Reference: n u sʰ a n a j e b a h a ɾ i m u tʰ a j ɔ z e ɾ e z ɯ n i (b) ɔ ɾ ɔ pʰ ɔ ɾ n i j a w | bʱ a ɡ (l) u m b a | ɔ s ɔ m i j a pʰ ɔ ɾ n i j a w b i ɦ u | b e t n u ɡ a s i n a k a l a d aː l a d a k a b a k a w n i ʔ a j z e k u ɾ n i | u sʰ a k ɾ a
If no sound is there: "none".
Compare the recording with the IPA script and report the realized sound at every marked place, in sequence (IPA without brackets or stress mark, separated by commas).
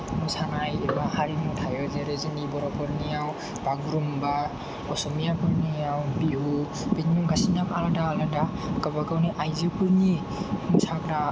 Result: b, ɾ